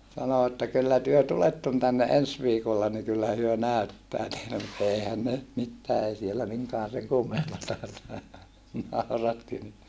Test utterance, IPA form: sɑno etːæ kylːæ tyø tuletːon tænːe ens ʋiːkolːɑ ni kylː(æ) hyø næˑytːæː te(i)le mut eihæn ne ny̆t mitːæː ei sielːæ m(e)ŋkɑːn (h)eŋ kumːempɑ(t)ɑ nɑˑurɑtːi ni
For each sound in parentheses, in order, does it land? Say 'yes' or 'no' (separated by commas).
yes, yes, no, no, yes